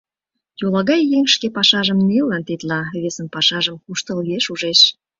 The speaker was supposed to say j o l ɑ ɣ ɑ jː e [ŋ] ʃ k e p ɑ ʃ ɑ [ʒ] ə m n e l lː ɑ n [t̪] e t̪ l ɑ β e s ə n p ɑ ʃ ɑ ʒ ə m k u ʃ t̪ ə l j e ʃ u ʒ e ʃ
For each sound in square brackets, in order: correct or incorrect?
correct, correct, correct

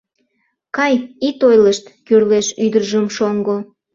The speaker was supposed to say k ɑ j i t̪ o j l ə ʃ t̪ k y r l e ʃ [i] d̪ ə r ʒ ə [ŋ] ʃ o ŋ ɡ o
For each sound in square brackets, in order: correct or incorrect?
incorrect: y, incorrect: m

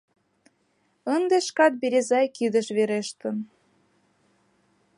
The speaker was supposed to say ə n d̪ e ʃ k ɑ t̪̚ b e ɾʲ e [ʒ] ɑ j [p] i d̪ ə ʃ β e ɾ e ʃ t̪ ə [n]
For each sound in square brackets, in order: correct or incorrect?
incorrect: z, incorrect: k, correct

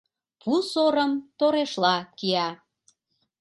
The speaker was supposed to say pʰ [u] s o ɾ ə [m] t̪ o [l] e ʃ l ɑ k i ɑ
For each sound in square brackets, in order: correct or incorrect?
correct, correct, incorrect: ɾ

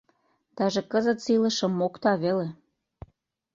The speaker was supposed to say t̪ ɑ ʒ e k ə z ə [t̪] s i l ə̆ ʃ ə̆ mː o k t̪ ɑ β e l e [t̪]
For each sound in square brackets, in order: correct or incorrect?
correct, incorrect: none

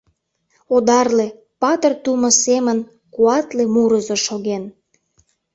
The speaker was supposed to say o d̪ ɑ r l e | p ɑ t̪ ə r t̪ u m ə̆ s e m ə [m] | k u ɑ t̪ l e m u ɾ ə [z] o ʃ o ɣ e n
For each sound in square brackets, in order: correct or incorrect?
incorrect: n, correct

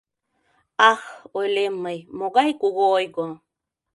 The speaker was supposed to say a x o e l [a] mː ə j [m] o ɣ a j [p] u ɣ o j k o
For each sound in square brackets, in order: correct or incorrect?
incorrect: e, correct, incorrect: k

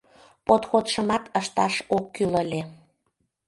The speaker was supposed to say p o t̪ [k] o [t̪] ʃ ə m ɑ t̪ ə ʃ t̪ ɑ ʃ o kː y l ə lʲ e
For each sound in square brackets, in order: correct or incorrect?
incorrect: x, correct

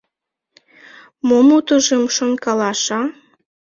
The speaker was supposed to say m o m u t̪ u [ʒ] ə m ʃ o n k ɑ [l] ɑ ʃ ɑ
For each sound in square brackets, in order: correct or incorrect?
correct, correct

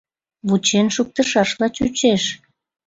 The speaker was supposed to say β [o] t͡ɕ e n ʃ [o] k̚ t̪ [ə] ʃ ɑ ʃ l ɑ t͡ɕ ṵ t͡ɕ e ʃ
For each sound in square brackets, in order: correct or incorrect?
incorrect: u, incorrect: u, correct

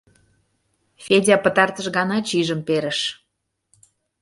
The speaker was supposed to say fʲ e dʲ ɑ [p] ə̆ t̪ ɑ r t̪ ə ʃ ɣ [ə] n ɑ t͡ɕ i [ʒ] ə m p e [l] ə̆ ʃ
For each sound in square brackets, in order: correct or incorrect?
correct, incorrect: ɑ, correct, incorrect: ɾ

